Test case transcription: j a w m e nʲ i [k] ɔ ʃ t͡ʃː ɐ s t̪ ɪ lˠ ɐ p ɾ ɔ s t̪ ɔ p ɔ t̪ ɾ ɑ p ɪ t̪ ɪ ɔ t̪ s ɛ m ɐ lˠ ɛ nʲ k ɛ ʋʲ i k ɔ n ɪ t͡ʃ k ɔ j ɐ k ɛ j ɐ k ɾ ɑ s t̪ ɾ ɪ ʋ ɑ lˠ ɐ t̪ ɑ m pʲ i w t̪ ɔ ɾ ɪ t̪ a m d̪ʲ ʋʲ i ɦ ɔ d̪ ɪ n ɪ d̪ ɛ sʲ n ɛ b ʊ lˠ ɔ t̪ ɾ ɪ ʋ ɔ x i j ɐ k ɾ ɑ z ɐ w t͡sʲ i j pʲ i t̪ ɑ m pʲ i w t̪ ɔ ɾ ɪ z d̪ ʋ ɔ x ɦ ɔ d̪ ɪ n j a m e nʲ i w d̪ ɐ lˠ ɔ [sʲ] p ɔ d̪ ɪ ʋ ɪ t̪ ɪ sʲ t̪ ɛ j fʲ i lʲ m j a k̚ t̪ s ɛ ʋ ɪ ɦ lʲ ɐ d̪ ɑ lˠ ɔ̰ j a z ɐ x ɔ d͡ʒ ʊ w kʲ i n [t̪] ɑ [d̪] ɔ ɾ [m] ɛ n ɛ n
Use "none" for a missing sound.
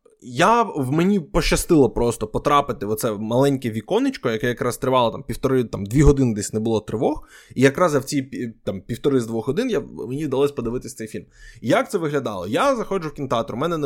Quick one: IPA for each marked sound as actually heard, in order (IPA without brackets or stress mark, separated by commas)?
p, sʲ, t̪, t̪, m